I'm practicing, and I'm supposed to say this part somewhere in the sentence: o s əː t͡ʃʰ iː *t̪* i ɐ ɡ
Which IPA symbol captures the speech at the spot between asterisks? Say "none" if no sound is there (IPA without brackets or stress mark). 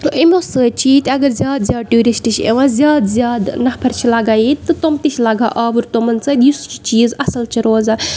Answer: t̪